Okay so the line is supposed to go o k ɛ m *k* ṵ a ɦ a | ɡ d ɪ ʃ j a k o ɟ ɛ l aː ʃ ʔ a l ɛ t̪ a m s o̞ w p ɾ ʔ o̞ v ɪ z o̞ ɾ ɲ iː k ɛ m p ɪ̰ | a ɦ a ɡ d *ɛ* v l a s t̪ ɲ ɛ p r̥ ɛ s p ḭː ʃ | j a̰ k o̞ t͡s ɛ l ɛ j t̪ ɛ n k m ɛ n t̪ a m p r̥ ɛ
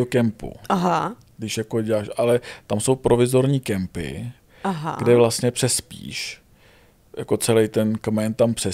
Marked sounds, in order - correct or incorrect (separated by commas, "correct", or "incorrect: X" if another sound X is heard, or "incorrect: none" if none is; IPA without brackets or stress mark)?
incorrect: p, correct